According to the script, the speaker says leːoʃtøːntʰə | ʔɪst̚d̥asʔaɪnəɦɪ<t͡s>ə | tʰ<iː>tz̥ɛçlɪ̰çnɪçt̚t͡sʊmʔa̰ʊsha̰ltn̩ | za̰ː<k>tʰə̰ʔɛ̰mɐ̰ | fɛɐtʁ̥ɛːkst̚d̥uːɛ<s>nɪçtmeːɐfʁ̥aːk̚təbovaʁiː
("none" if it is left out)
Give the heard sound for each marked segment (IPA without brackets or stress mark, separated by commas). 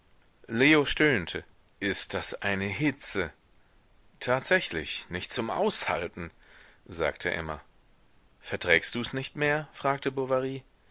t͡s, aː, k, s